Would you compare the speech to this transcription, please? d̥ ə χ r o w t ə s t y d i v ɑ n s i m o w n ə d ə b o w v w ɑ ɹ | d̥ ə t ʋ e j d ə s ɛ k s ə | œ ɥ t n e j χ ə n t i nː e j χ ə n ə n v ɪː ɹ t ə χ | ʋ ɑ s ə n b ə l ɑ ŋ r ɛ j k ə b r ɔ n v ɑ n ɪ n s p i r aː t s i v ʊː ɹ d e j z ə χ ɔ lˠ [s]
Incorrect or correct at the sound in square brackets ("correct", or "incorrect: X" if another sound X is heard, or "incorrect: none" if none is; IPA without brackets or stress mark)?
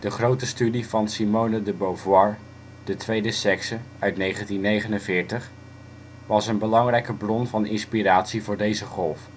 incorrect: f